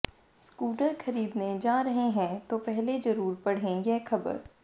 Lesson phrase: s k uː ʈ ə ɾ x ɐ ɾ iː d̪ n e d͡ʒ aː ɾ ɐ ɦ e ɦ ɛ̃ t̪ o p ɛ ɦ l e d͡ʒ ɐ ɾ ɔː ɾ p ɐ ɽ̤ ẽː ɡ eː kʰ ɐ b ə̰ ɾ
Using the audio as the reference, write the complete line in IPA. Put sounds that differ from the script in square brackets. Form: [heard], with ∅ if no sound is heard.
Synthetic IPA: s k uː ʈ ə ɾ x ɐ ɾ iː d̪ n e d͡ʒ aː ɾ ɐ ɦ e ɦ ɛ̃ t̪ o p ɛ ɦ l e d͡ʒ ɐ ɾ [uː] ɾ p ɐ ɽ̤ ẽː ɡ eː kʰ ɐ b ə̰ ɾ